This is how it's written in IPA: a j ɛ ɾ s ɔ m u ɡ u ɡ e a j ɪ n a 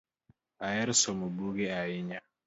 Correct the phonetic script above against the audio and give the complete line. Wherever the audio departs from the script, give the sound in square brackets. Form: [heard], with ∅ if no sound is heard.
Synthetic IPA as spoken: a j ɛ ɾ s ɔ m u [b] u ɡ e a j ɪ [ɲ] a